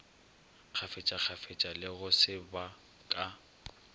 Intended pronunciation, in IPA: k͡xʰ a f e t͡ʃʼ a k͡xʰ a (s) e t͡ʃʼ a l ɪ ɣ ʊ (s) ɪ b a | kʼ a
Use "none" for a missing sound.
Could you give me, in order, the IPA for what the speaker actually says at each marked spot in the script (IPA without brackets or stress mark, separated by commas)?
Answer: f, s